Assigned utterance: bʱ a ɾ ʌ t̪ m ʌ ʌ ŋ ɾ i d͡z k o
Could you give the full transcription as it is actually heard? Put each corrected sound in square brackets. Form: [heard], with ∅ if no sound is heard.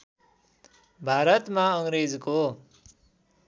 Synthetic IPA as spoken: bʱ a ɾ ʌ t̪ m [a] ʌ ŋ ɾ [e] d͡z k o